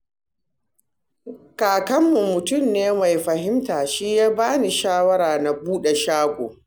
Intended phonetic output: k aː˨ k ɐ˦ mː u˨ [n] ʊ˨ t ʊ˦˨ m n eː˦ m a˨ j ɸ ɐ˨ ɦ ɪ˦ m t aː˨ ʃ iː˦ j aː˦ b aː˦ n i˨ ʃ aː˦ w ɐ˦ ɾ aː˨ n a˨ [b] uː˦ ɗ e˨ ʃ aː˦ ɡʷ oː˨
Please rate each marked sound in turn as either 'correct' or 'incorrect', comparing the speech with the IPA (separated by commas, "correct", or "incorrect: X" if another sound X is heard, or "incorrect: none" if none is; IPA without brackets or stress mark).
incorrect: m, correct